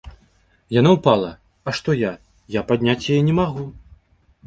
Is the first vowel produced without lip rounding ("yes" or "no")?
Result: yes